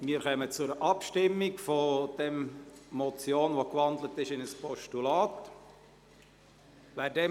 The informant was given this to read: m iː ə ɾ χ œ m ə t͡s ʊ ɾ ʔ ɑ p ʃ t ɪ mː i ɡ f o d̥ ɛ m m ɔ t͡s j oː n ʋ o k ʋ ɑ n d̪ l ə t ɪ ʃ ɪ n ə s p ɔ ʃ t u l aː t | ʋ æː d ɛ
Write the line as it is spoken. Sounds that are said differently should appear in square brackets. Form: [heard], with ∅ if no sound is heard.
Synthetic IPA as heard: m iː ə ɾ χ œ m ə t͡s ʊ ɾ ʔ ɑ p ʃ t ɪ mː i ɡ f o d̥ ɛ m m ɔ t͡s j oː n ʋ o k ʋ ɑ n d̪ l ə t ɪ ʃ ɪ n ə s p ɔ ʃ t u l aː t | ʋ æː d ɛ